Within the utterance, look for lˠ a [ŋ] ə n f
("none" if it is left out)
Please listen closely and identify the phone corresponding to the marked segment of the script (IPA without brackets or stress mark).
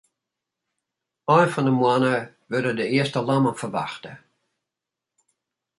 m